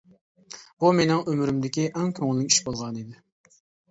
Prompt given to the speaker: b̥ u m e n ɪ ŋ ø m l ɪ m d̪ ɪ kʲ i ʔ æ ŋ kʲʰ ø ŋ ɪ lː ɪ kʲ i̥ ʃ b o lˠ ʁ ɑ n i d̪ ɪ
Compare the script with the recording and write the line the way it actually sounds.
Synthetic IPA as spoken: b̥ u m e n ɪ ŋ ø m ɾ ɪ m d̪ ɪ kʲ i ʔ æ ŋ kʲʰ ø ŋ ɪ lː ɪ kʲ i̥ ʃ b o lˠ ʁ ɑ n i d̪ ɪ